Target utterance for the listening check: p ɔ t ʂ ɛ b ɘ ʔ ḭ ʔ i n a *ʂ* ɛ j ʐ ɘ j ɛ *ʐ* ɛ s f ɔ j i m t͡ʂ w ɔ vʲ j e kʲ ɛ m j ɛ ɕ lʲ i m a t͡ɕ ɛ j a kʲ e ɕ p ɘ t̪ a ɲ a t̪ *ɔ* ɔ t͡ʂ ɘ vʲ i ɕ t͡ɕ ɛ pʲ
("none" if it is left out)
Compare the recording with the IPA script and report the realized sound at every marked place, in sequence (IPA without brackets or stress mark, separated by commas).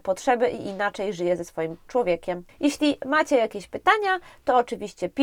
t͡ʂ, z, ɔ